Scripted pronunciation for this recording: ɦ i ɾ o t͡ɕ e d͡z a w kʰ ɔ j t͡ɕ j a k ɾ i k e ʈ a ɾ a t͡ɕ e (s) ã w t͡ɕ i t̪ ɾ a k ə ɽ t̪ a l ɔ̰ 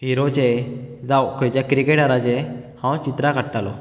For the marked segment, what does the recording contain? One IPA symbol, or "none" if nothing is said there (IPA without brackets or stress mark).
h